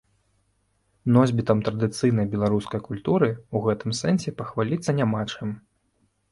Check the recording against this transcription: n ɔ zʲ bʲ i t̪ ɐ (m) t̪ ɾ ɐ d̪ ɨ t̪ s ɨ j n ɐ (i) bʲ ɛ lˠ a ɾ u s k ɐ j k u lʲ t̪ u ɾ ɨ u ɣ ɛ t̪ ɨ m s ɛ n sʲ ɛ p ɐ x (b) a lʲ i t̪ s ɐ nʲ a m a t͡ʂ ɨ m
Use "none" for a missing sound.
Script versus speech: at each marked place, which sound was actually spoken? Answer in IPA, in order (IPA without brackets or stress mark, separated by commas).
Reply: m, j, v